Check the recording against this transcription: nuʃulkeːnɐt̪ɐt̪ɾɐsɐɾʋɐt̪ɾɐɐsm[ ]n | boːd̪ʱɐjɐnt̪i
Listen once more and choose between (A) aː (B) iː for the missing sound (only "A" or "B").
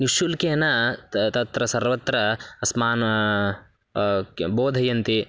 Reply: A